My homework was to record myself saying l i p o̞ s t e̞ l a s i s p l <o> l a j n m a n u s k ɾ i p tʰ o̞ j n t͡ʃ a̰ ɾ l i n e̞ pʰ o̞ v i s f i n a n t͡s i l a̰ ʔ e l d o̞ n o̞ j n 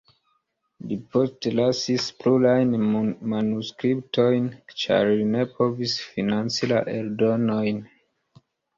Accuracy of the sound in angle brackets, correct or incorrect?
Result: incorrect